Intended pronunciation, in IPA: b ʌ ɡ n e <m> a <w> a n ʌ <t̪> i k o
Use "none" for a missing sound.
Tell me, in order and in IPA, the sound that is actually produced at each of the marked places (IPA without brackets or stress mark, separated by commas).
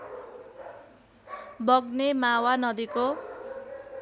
m, w, d̪